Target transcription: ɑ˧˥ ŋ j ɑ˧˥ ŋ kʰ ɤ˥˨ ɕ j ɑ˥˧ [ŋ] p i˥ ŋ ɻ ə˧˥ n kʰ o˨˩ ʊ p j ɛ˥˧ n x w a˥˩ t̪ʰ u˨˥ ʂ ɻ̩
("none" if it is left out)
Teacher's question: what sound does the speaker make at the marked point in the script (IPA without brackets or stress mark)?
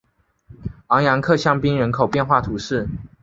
ŋ